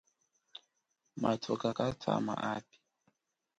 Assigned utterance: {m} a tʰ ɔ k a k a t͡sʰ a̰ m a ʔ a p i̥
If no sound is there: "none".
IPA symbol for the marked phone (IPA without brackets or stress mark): m